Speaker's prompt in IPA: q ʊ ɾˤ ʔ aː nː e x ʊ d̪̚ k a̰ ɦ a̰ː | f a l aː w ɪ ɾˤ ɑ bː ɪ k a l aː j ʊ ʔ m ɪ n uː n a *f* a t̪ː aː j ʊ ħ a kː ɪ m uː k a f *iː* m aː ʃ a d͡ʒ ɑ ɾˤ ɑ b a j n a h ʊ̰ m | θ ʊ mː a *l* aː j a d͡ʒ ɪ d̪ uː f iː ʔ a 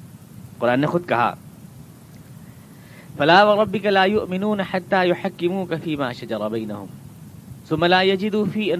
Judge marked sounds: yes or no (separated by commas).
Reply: no, yes, yes